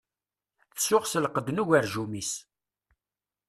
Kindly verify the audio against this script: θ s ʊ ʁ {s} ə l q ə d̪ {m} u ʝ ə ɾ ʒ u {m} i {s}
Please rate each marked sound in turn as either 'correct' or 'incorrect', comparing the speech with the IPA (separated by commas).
correct, incorrect, correct, correct